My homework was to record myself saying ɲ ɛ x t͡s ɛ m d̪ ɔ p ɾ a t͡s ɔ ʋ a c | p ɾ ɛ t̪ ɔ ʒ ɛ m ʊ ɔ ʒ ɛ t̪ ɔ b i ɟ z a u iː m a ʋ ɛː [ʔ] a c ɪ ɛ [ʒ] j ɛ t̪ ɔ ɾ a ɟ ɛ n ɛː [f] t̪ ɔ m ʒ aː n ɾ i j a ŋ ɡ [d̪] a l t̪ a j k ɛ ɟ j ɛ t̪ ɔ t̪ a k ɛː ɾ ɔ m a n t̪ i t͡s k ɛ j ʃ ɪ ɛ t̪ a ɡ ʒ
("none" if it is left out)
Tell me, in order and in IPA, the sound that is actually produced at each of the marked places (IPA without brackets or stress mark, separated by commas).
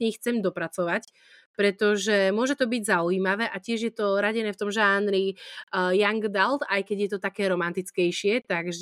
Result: ʔ, ʒ, f, d̪